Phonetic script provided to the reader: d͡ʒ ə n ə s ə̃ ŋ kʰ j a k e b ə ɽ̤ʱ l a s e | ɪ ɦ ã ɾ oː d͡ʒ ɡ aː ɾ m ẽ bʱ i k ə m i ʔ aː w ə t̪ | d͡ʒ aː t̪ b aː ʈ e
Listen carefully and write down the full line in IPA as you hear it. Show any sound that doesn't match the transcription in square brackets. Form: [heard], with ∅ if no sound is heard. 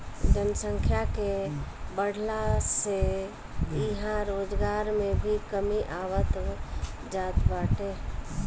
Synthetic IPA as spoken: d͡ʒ ə n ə s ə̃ ŋ kʰ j a k e b ə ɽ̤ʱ l a s e | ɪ ɦ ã ɾ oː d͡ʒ ɡ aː ɾ m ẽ bʱ i k ə m i ʔ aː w ə t̪ | d͡ʒ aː t̪ b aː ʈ e